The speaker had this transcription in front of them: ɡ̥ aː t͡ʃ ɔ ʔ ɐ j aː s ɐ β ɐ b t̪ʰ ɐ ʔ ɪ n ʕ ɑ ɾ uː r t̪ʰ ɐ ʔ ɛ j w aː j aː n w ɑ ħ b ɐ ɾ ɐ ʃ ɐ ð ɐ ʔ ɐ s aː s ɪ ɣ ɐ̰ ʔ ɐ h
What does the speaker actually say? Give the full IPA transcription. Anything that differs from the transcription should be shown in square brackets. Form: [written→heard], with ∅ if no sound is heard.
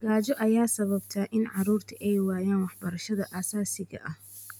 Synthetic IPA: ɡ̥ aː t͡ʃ ɔ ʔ ɐ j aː s ɐ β ɐ b t̪ʰ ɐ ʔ ɪ n ʕ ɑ ɾ uː r t̪ʰ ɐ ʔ ɛ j w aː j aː n w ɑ ħ b ɐ ɾ ɐ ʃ ɐ ð ɐ ʔ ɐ s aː s ɪ ɣ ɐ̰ ʔ ɐ h

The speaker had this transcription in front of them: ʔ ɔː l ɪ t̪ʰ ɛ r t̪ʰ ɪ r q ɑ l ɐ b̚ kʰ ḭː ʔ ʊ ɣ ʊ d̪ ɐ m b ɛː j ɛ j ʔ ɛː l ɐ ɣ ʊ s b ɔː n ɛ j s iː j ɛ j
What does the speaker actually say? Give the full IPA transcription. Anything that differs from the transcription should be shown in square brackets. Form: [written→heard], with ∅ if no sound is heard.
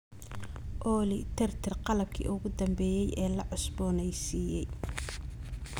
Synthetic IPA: ʔ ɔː l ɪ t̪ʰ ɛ r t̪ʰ ɪ r q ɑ l ɐ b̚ kʰ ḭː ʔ ʊ ɣ ʊ d̪ ɐ m b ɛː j ɛ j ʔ ɛː l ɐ [ɣ→ʕ] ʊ s b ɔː n ɛ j s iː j ɛ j

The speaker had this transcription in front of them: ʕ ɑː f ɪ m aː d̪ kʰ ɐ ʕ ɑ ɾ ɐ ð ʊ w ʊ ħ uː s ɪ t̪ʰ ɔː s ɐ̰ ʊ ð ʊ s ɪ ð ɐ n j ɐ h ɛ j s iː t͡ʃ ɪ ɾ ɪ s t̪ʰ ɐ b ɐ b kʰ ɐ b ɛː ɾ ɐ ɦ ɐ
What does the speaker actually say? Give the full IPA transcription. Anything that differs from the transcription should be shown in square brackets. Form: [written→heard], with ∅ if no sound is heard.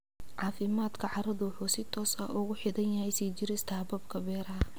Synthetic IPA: ʕ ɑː f ɪ m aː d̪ kʰ ɐ ʕ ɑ ɾ ɐ ð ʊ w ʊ ħ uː s ɪ t̪ʰ ɔː s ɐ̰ ʊ [ð→ɣ] ʊ [s→ħ] ɪ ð ɐ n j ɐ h ɛ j s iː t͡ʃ ɪ ɾ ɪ s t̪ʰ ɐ b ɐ b kʰ ɐ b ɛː ɾ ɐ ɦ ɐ

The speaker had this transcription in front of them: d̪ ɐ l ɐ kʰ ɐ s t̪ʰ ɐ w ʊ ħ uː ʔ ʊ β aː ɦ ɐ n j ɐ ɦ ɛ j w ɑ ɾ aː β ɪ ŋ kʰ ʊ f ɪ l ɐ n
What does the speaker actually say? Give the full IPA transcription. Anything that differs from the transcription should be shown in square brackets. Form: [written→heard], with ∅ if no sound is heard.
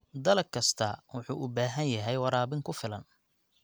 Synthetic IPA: d̪ ɐ l ɐ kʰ ɐ s t̪ʰ ɐ w ʊ ħ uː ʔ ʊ [β→b] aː ɦ ɐ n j ɐ ɦ ɛ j w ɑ ɾ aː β ɪ ŋ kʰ ʊ f ɪ l ɐ n

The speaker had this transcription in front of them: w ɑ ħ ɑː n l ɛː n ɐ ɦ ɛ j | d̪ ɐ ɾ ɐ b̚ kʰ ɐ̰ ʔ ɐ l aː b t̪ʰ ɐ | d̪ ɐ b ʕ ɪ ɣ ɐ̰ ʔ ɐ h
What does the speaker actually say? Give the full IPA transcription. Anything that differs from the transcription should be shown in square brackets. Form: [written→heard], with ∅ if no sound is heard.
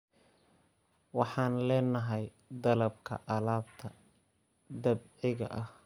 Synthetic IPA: w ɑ ħ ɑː n l ɛː n ɐ ɦ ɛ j | d̪ ɐ [ɾ→l] ɐ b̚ kʰ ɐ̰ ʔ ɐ l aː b t̪ʰ ɐ | d̪ ɐ b ʕ ɪ ɣ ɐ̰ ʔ ɐ h

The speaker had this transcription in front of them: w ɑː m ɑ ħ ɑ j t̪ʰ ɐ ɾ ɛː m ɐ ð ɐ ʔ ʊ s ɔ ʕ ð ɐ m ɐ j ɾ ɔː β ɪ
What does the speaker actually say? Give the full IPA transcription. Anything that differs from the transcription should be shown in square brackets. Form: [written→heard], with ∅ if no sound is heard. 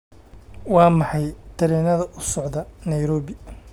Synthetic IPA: w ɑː m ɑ ħ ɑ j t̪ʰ ɐ ɾ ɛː [m→n] ɐ ð ɐ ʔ ʊ s ɔ ʕ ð ɐ [m→n] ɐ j ɾ ɔː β ɪ

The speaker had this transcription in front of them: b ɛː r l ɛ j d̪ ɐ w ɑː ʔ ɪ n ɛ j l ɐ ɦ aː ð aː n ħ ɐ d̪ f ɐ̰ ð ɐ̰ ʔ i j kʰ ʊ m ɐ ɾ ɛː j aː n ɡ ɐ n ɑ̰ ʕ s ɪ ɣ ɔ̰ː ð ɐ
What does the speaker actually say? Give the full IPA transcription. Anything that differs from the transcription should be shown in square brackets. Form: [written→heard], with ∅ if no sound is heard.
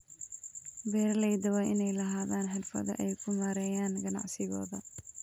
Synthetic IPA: b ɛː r l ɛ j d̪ ɐ w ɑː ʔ ɪ n ɛ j l ɐ ɦ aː ð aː n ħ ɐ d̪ f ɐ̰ ð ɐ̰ ʔ [i→ɛ] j kʰ ʊ m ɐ ɾ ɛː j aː n ɡ ɐ n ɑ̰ ʕ s ɪ ɣ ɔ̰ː ð ɐ

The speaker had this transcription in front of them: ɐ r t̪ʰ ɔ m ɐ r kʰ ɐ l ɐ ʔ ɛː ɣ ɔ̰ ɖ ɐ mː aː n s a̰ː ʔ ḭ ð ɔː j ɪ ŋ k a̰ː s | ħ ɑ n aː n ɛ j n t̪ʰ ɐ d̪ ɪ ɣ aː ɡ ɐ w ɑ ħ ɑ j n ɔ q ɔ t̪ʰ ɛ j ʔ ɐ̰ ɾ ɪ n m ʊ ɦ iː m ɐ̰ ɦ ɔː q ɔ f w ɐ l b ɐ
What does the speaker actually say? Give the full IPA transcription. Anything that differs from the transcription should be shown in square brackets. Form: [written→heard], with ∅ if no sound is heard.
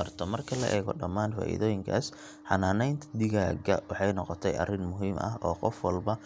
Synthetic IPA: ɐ r t̪ʰ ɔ m ɐ r kʰ ɐ l ɐ ʔ ɛː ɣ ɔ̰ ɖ ɐ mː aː n [s→f] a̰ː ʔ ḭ ð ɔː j ɪ ŋ [k→kʰ] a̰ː s | ħ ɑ n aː n ɛ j n t̪ʰ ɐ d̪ ɪ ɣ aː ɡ ɐ w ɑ ħ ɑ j n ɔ q ɔ t̪ʰ ɛ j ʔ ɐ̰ [ɾ→r] ɪ n m ʊ ɦ iː m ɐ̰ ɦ ɔː q ɔ f w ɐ l b ɐ

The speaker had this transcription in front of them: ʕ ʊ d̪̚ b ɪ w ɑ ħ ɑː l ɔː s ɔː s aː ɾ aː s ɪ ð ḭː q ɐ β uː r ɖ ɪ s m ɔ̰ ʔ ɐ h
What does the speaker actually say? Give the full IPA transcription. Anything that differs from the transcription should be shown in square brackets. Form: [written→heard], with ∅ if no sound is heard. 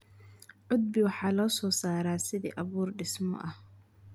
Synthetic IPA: ʕ ʊ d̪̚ b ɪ w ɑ ħ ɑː l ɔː s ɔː s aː ɾ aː s ɪ ð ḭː [q→ʔ] ɐ β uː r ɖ ɪ s m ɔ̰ ʔ ɐ h

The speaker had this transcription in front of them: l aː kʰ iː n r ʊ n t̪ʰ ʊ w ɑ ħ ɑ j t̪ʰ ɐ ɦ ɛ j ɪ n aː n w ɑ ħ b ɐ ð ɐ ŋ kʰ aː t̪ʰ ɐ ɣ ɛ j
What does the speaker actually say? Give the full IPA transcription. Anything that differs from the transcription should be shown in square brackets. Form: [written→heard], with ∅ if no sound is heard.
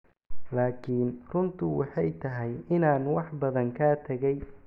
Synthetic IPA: l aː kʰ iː n r ʊ n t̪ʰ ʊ w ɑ ħ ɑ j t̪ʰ ɐ ɦ ɛ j ɪ n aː n w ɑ ħ b ɐ ð ɐ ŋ kʰ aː t̪ʰ ɐ ɣ ɛ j

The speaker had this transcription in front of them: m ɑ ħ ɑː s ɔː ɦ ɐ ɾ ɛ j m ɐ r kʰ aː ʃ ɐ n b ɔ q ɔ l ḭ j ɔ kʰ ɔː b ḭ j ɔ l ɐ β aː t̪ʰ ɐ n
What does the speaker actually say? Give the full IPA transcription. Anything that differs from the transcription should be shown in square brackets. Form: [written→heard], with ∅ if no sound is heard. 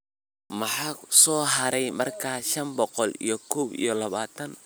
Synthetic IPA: m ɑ ħ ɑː s ɔː ɦ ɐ ɾ ɛ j m ɐ r kʰ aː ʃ ɐ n b ɔ q ɔ l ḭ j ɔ kʰ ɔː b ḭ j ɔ l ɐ β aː t̪ʰ ɐ n

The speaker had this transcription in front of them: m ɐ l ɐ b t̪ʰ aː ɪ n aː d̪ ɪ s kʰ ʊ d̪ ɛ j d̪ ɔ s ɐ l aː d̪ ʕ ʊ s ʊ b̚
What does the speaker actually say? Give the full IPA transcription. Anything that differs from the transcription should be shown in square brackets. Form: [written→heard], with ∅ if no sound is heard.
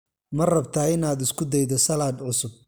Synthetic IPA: m ɐ [l→r] ɐ b t̪ʰ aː ɪ n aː d̪ ɪ s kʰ ʊ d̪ ɛ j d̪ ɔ s ɐ l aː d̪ ʕ ʊ s ʊ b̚

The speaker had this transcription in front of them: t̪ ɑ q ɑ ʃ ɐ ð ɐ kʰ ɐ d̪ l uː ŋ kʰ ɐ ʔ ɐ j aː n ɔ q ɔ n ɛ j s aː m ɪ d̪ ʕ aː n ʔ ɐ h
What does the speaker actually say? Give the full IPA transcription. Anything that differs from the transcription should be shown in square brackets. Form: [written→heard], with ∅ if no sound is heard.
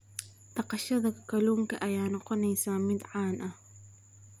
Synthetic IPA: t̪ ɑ q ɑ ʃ ɐ ð ɐ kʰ ɐ [d̪→∅] l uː ŋ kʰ ɐ ʔ ɐ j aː n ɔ q ɔ n ɛ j s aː m ɪ d̪ ʕ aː n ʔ ɐ h

